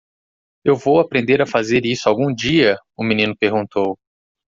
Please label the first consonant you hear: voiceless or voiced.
voiced